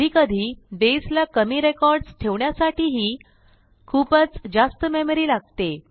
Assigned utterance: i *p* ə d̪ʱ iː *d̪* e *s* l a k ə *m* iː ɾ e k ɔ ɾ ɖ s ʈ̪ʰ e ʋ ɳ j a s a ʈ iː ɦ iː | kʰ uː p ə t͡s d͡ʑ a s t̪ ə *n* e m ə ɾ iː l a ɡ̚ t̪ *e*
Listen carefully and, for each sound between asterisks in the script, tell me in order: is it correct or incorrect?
incorrect, correct, correct, correct, incorrect, correct

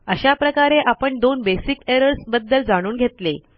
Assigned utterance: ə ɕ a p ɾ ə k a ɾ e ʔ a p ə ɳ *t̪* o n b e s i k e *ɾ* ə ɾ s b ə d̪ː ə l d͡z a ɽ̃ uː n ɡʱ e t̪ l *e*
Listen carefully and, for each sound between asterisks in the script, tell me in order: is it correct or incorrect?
incorrect, correct, correct

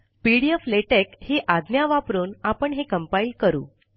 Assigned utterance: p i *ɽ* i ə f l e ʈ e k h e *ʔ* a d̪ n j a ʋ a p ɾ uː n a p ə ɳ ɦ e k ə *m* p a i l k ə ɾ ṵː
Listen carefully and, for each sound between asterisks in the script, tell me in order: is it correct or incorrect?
correct, correct, correct

